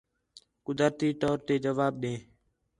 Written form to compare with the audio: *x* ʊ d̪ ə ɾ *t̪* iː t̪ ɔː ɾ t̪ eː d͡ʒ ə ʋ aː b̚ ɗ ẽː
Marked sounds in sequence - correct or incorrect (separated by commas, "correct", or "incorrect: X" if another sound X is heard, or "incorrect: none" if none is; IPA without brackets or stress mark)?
incorrect: k, correct